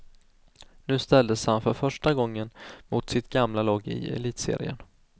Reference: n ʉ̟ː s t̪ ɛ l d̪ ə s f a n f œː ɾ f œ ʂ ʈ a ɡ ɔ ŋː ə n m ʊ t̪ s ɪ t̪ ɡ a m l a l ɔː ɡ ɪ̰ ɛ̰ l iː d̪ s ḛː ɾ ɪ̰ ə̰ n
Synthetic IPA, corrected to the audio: n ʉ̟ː s t̪ ɛ l d̪ ə s h a n f œ ɾ f œ ʂ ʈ a ɡ ɔ ŋː ə n m ʊ t̪ s ɪ t̪ ɡ a m l a l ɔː ɡ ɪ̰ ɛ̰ l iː t̪ s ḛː ɾ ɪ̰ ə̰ n